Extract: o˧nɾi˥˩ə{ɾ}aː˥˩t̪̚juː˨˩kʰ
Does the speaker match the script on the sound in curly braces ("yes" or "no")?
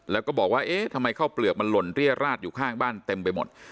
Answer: yes